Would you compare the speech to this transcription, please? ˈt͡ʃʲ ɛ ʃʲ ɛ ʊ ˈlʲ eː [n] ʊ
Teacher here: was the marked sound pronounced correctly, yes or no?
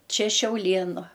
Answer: yes